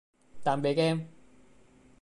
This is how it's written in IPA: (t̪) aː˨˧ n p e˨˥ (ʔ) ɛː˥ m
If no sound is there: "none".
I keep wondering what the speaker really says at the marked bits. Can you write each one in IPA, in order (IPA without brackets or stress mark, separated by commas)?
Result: t̪, k